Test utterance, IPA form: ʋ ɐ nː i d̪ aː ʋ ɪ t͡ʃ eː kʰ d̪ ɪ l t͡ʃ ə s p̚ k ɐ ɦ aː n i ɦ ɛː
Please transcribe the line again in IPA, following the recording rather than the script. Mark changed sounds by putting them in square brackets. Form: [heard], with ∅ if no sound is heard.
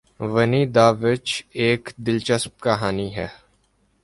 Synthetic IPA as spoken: ʋ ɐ [n] i d̪ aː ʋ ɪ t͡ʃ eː [k] d̪ ɪ l t͡ʃ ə s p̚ k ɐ ɦ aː n i ɦ ɛː